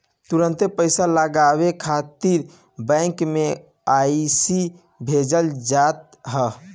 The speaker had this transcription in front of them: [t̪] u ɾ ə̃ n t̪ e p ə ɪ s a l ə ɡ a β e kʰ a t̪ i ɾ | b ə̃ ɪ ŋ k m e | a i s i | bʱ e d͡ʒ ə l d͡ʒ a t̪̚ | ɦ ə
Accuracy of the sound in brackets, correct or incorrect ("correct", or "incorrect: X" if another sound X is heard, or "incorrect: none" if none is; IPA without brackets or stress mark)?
correct